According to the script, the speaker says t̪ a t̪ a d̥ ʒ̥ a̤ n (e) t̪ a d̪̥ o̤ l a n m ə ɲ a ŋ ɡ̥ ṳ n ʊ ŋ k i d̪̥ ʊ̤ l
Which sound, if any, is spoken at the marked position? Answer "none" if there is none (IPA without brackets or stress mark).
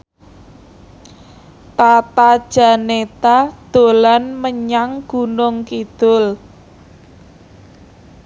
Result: e